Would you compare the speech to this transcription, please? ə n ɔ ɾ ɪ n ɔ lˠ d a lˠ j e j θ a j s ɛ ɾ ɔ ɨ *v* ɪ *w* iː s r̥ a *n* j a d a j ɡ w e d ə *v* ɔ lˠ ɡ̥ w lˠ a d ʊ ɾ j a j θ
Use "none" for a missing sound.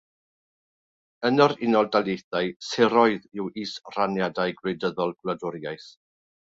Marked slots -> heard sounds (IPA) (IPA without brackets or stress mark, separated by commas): ð, w, n, ð